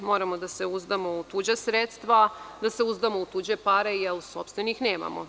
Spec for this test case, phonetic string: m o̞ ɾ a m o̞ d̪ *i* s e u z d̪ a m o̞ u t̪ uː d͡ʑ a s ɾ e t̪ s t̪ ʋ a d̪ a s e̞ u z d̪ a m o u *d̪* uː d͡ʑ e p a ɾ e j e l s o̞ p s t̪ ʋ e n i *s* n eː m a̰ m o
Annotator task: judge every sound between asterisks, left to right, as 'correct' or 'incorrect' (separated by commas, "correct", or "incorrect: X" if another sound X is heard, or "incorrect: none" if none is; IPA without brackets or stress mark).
incorrect: a, incorrect: t̪, incorrect: x